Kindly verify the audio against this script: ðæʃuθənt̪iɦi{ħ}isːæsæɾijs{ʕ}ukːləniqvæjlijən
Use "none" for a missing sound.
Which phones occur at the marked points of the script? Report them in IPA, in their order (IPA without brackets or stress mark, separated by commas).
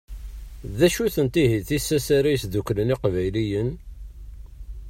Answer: θ, ð